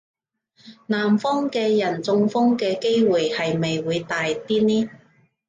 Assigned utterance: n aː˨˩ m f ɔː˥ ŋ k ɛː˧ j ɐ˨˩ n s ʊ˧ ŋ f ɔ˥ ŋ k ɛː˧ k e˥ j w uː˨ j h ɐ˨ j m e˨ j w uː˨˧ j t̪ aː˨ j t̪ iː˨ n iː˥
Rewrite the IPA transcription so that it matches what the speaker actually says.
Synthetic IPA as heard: n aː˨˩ m f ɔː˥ ŋ k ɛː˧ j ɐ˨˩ n t͡s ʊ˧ ŋ f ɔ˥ ŋ k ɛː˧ k e˥ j w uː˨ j h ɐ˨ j m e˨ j w uː˨˧ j t̪ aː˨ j t̪ iː˥ n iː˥